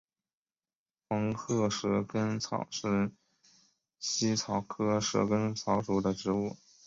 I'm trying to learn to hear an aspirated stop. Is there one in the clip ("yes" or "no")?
yes